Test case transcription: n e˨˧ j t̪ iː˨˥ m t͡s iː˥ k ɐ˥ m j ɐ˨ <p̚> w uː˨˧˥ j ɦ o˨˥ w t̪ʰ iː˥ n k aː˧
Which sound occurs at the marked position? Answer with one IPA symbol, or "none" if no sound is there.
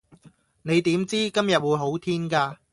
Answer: t̚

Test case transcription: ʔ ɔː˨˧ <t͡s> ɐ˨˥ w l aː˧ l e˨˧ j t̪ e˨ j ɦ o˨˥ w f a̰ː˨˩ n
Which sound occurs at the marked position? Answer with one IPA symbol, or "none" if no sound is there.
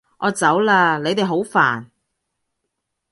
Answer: t͡s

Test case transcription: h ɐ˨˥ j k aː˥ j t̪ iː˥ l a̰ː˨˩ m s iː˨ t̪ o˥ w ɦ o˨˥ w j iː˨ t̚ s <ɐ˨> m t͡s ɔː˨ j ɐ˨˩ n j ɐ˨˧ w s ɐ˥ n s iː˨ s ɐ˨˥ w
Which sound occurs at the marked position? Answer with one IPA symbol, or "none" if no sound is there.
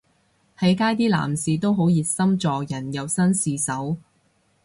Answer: ɐ˥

